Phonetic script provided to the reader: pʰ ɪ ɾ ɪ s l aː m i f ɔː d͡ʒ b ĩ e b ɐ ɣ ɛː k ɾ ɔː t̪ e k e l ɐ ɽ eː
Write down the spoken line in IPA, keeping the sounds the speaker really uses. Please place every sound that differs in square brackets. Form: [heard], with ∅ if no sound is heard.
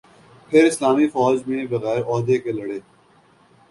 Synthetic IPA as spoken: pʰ ɪ ɾ ɪ s l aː m i f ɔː d͡ʒ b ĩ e b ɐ ɣ ɛː [∅] ɾ ɔː [d̪] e k e l ɐ ɽ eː